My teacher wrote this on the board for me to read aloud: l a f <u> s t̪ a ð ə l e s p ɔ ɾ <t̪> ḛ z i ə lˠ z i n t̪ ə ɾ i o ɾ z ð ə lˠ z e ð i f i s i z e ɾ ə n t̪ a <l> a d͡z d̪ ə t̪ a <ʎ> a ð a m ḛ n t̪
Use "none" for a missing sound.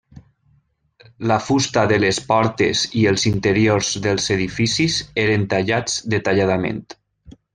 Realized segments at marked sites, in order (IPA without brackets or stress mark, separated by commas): u, t̪, ʎ, ʎ